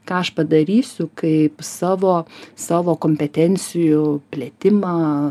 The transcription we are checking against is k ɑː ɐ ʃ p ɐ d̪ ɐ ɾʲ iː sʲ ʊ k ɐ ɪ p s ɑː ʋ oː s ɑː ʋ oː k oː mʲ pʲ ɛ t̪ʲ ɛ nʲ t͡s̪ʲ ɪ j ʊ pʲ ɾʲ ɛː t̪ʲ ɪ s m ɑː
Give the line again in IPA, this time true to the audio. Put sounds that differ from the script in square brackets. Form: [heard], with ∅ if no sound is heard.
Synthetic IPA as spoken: k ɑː ɐ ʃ p ɐ d̪ ɐ ɾʲ iː sʲ ʊ k ɐ ɪ p s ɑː ʋ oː s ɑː ʋ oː k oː mʲ pʲ ɛ t̪ʲ ɛ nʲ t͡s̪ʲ ɪ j ʊ pʲ [lʲ] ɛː t̪ʲ ɪ [∅] m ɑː